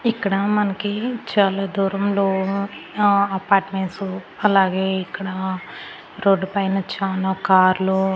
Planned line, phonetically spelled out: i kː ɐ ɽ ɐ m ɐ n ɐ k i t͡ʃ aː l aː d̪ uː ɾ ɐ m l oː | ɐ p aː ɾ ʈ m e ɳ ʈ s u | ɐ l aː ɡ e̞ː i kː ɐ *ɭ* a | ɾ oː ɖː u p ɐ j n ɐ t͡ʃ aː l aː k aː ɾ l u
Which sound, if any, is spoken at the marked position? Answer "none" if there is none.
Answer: ɽ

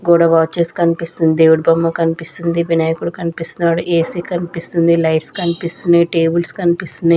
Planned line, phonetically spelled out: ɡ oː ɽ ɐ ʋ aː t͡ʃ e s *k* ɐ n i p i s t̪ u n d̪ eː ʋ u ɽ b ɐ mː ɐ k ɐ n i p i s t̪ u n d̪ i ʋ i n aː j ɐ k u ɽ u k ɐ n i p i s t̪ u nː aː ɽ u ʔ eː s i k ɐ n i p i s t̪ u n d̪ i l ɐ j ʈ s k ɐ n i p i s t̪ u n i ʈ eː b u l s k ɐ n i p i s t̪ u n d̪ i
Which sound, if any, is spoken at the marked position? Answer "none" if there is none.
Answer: k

